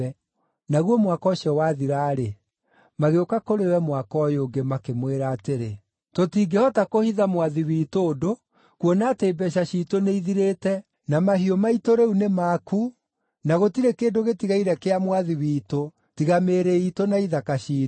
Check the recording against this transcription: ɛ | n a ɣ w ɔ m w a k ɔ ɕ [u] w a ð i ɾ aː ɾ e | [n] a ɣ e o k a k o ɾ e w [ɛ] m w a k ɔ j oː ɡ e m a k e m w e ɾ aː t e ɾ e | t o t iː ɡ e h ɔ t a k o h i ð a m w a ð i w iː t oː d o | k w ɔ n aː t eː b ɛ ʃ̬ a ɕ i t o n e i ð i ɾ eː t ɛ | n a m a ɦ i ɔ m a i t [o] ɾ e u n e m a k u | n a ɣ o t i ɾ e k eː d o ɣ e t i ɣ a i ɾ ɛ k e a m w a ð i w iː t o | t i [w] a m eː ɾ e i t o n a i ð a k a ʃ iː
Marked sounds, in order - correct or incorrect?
incorrect, incorrect, correct, correct, incorrect

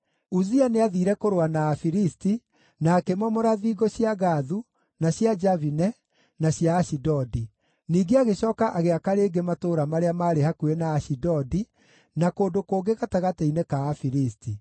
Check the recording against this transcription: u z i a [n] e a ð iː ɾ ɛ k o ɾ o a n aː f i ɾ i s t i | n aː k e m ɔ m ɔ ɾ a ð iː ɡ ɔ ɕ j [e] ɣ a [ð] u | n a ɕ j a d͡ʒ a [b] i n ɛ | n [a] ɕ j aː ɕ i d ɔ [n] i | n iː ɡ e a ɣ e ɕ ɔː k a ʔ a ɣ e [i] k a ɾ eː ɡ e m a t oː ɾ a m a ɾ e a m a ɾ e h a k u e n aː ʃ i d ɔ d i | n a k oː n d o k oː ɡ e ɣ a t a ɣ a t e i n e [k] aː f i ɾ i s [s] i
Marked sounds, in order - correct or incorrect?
correct, incorrect, correct, incorrect, correct, incorrect, incorrect, correct, incorrect

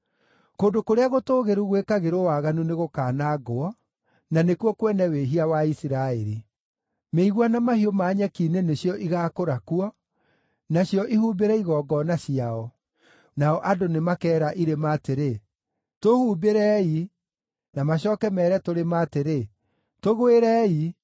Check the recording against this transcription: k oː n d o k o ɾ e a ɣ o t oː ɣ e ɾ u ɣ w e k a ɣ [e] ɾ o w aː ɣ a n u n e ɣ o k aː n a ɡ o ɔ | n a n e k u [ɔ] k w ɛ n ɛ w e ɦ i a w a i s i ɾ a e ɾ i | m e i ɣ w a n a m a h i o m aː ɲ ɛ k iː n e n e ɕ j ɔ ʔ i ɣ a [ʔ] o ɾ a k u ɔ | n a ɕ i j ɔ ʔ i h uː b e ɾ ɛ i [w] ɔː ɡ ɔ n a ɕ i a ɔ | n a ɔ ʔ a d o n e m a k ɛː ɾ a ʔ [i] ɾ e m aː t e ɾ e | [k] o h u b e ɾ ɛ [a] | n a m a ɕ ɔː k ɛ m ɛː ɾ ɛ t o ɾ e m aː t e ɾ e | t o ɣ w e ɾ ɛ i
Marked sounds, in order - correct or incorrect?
correct, correct, incorrect, incorrect, correct, incorrect, incorrect

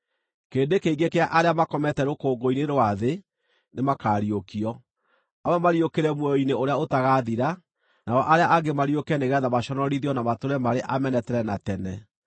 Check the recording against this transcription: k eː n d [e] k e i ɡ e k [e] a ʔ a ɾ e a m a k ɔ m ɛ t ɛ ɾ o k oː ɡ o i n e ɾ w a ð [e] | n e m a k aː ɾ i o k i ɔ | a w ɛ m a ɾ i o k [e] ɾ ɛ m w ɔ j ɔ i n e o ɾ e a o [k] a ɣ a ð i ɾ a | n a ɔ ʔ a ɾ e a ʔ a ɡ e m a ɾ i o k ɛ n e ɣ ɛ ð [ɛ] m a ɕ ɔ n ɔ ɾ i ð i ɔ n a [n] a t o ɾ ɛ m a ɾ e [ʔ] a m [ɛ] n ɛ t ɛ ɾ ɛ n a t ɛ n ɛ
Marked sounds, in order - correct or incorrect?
correct, correct, correct, correct, incorrect, incorrect, incorrect, correct, correct

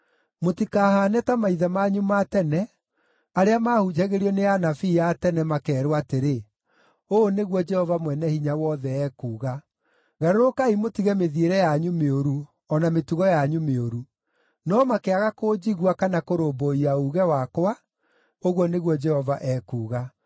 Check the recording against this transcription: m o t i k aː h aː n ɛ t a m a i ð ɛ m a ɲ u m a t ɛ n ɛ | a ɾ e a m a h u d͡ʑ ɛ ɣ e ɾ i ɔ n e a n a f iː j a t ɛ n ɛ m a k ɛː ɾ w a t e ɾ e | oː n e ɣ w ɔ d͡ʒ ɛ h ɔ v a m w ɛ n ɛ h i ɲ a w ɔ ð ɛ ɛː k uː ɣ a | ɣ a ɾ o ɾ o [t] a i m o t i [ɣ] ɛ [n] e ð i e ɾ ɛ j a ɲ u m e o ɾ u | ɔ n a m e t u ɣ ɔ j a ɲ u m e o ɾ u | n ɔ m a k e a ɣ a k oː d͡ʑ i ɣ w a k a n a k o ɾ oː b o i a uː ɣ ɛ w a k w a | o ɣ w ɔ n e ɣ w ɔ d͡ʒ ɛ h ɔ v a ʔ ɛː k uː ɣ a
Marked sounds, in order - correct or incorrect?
incorrect, correct, incorrect

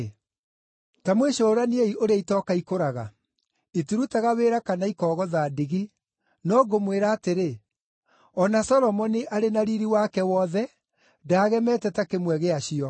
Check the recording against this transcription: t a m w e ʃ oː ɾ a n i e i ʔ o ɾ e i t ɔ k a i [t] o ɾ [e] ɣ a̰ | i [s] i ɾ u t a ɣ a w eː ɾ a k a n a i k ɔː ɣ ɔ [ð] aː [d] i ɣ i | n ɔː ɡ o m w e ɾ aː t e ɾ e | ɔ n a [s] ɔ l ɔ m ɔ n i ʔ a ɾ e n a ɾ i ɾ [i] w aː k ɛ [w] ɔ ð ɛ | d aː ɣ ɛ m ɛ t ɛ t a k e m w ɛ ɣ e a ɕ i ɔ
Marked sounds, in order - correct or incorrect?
incorrect, incorrect, incorrect, correct, correct, correct, correct, correct

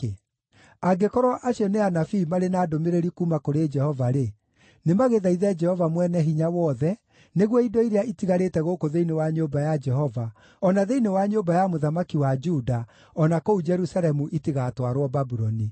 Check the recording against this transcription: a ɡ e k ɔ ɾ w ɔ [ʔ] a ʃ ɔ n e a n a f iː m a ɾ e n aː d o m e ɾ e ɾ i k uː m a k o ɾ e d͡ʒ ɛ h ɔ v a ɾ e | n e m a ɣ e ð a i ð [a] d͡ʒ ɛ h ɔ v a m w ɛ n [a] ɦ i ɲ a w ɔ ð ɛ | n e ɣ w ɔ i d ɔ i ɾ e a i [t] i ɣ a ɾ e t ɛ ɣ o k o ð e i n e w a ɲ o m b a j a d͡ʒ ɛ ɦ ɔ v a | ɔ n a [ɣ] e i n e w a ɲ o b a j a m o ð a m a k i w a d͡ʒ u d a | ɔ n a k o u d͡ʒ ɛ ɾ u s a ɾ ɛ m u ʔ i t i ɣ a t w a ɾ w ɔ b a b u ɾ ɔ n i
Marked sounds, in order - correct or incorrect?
correct, incorrect, incorrect, correct, incorrect

